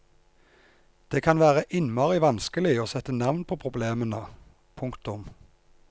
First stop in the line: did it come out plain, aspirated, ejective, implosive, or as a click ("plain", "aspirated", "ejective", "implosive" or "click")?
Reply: plain